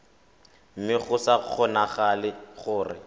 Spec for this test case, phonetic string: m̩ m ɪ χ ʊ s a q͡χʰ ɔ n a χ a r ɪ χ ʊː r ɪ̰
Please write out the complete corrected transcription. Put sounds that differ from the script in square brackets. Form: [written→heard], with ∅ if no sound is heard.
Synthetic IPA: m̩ m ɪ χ ʊ s a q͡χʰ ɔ n a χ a [r→l] ɪ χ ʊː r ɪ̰